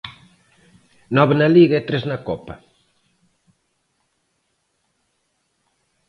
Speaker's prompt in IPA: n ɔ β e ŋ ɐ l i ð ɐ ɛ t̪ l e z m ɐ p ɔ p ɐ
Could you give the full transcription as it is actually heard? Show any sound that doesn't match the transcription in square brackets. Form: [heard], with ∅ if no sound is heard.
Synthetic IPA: n ɔ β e [n] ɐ l i [ɣ] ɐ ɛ t̪ [ɾ] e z [n] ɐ [k] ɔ p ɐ